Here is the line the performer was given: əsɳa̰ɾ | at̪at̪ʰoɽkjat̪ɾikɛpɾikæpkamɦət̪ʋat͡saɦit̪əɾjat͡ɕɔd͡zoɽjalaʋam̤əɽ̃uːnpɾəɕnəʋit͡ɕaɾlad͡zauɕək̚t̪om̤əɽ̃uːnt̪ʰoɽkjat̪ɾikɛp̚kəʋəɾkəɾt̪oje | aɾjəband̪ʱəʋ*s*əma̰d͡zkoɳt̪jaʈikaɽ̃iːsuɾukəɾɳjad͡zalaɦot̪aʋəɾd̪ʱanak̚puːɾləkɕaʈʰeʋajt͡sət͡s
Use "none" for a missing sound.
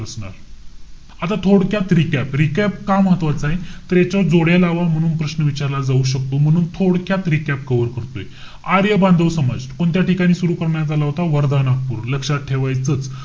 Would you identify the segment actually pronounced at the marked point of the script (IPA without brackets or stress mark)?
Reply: s